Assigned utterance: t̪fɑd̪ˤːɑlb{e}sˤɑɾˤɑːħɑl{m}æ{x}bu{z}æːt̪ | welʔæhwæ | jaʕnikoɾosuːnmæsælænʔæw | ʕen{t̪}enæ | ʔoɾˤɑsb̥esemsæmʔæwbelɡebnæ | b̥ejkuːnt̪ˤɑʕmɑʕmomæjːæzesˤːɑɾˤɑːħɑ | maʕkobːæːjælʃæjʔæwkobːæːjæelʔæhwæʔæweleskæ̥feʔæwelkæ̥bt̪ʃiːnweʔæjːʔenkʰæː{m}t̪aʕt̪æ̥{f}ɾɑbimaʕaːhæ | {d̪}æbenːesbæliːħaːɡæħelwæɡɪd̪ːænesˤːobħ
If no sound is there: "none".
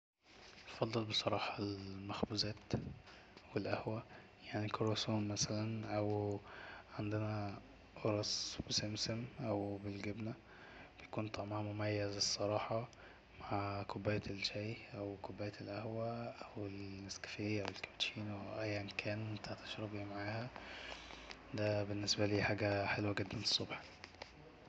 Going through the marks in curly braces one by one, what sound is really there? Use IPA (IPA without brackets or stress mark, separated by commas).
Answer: e, m, x, z, d̪, n, ʃ, d̪